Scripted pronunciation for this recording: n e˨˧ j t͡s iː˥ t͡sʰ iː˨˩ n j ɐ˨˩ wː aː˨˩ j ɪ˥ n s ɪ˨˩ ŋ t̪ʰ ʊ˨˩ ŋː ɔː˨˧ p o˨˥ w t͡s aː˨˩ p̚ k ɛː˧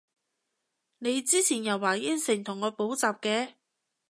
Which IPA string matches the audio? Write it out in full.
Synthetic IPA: n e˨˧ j t͡s iː˥ t͡sʰ iː˨˩ n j ɐ˨˩ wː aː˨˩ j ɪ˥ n s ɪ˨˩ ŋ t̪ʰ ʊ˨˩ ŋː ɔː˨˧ p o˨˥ w t͡s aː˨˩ p̚ k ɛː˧